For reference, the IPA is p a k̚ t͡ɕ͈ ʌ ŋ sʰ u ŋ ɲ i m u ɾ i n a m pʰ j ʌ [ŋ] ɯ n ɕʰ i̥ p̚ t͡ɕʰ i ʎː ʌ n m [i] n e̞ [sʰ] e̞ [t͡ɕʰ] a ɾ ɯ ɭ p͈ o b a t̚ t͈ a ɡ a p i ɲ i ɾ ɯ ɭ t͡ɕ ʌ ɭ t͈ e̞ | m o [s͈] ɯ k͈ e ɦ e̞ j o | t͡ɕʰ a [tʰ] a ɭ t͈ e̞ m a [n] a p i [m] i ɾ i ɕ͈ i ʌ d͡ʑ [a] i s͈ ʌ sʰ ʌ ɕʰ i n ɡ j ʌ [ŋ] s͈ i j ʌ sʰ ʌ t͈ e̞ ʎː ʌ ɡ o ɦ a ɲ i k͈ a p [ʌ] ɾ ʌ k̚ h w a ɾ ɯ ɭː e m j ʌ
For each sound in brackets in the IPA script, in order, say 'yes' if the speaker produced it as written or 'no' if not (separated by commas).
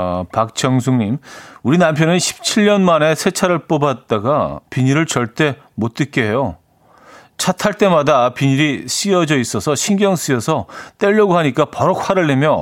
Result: no, no, yes, yes, no, yes, no, no, no, yes, yes